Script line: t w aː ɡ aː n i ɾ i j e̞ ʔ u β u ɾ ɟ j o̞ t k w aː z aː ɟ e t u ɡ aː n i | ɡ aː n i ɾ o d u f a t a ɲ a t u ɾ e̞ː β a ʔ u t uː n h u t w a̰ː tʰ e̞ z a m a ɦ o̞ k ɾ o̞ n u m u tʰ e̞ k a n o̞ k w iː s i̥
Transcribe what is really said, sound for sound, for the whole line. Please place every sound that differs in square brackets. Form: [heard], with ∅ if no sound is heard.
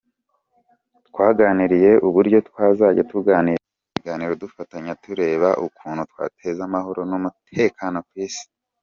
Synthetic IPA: t w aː ɡ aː n i ɾ i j e̞ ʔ u β u ɾ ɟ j o̞ t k w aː z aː ɟ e t u ɡ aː n i | ɡ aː n i ɾ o d u f a t a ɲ a t u ɾ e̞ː β a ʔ u [k] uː n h u t w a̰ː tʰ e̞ z a m a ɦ o̞ [∅] ɾ o̞ n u m u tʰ e̞ k a n o̞ k w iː s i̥